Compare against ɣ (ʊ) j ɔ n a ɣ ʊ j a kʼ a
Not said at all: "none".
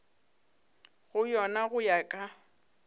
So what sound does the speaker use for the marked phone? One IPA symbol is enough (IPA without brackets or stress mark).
ʊ